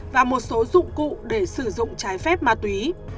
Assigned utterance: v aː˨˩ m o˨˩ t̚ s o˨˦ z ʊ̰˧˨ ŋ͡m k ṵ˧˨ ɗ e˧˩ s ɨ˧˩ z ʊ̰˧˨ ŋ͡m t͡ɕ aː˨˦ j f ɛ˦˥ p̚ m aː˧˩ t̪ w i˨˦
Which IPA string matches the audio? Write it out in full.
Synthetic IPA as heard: v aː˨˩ m o˨˩ t̚ s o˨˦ z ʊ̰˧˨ ŋ͡m k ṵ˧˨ ɗ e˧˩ s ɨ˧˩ z ʊ̰˧˨ ŋ͡m t͡ɕ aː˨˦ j f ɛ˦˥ p̚ m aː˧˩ t̪ w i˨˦